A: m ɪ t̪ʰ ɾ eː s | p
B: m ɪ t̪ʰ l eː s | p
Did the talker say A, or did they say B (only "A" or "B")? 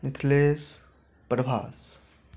B